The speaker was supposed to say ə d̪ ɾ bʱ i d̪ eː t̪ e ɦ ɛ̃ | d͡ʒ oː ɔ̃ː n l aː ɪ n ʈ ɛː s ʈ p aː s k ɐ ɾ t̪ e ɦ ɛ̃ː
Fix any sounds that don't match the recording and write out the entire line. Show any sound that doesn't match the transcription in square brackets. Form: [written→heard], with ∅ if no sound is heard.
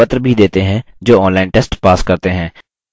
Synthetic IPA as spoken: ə [d̪→t̪] ɾ bʱ i d̪ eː t̪ e ɦ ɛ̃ | d͡ʒ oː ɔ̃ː n l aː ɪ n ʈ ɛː s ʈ p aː s k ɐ ɾ t̪ e ɦ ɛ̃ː

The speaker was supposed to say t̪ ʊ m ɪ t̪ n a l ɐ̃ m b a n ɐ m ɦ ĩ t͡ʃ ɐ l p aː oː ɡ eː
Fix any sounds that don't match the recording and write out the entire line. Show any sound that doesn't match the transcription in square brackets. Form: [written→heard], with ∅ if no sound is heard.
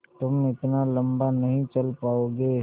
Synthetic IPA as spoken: t̪ ʊ m ɪ t̪ n a l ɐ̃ m b a n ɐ [m→∅] ɦ ĩ t͡ʃ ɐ l p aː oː ɡ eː

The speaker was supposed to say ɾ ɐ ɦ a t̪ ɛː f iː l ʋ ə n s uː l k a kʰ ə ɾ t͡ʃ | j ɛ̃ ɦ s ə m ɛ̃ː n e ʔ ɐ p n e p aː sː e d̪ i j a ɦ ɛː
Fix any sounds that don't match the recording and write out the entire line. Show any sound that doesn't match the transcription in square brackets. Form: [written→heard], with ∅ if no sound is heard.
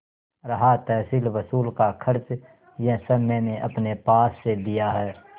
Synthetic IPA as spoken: ɾ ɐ ɦ a t̪ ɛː [f→s] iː l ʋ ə [n→∅] s uː l k a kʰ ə ɾ t͡ʃ | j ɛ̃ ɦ s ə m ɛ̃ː n e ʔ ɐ p n e p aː sː e d̪ i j a ɦ ɛː

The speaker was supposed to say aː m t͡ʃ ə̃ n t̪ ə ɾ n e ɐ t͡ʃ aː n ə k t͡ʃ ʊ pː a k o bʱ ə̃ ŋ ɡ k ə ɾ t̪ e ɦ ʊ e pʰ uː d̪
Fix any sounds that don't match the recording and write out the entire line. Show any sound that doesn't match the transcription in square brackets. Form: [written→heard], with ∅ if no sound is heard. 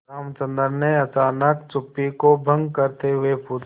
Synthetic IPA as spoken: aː m t͡ʃ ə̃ n [t̪→d̪] ə ɾ n e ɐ t͡ʃ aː n ə k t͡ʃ ʊ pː [a→i] k o bʱ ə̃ ŋ ɡ k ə ɾ t̪ e ɦ ʊ e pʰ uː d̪

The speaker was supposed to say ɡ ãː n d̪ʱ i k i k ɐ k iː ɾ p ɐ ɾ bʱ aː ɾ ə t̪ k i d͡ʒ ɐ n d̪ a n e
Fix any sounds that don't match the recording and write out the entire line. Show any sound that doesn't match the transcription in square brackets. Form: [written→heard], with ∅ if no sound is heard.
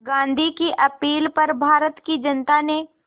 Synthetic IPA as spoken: ɡ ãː n d̪ʱ i k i [k→ʔ] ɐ [k→p] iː [ɾ→l] p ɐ ɾ bʱ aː ɾ ə t̪ k i d͡ʒ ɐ n [d̪→t̪] a n e

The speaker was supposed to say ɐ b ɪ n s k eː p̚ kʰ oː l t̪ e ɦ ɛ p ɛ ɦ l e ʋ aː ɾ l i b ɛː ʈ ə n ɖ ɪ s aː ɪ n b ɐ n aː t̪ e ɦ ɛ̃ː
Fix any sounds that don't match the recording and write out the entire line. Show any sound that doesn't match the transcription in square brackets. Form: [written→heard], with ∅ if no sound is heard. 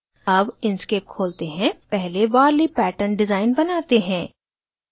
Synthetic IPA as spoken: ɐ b ɪ n s k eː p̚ kʰ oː l t̪ e ɦ [ɛ→ɛ̃] p ɛ ɦ l e ʋ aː ɾ l i [b→p] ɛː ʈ ə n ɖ ɪ [s→z] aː ɪ n b ɐ n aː t̪ e ɦ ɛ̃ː

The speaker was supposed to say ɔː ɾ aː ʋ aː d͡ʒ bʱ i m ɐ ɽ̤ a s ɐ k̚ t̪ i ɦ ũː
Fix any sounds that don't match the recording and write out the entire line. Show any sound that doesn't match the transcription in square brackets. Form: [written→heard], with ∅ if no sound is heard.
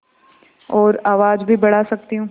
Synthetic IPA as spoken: ɔː ɾ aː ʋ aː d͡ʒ bʱ i [m→b] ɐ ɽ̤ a s ɐ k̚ t̪ i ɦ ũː

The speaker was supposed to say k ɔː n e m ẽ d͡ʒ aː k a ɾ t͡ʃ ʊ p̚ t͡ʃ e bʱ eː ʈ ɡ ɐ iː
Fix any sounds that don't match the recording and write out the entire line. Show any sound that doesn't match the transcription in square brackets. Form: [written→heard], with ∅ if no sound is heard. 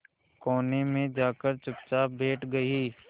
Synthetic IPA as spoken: k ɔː n e m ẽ d͡ʒ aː k [a→ə] ɾ t͡ʃ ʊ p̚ t͡ʃ [e→a] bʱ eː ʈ ɡ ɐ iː

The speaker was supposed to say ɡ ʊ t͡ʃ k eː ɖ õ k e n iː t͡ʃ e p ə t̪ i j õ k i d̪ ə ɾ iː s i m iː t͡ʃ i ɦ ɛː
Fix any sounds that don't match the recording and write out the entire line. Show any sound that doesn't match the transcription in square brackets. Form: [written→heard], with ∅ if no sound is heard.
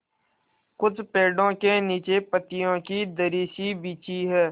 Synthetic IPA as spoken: [ɡ→k] ʊ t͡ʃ [k→p] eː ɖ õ k e n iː t͡ʃ e p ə t̪ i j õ k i d̪ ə ɾ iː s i [m→b] iː t͡ʃ i ɦ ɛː

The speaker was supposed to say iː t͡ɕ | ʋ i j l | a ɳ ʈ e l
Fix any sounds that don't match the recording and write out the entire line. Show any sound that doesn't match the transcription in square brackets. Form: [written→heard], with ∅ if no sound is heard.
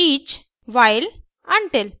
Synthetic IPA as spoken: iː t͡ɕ | ʋ [i→a] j l | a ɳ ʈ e l

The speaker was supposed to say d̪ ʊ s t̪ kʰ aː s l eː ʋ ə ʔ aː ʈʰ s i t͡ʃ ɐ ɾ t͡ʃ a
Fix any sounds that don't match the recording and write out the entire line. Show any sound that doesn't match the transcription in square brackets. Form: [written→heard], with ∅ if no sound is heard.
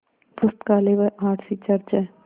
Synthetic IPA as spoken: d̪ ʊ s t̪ [kʰ→k] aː [s→∅] l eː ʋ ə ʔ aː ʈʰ s i t͡ʃ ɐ ɾ t͡ʃ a

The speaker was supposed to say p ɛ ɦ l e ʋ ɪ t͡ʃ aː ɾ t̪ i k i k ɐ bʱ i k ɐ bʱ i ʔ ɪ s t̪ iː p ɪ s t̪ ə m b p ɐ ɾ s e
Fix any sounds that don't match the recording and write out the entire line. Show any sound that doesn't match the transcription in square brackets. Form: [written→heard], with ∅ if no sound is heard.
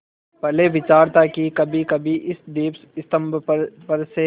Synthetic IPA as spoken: p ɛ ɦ l e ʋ ɪ t͡ʃ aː ɾ t̪ [i→a] k i k ɐ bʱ i k ɐ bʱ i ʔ ɪ s [t̪→d̪] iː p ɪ s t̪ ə m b p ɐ ɾ s e

